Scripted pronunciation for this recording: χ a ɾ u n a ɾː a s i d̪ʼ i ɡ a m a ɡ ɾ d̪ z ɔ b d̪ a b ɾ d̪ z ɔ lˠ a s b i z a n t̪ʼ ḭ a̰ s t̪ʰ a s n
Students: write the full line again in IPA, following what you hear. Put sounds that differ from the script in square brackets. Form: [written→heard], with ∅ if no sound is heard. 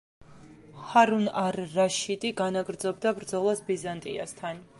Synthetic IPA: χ a ɾ u n a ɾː a [s→ʃ] i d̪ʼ i ɡ a [m→n] a ɡ ɾ d̪ z ɔ b d̪ a b ɾ d̪ z ɔ lˠ a s b i z a n t̪ʼ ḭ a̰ s t̪ʰ a [s→∅] n